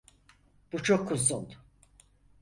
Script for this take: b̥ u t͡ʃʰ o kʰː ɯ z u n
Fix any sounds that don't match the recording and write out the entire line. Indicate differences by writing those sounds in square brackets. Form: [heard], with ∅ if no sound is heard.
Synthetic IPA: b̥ u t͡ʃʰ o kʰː [u] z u n